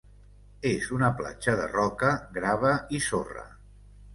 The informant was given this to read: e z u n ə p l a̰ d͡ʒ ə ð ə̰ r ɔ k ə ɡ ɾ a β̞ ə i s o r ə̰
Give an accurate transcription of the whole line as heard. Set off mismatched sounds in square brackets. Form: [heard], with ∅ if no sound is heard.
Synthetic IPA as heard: e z u n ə p l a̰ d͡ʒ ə ð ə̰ r ɔ k ə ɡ ɾ a β̞ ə i s o r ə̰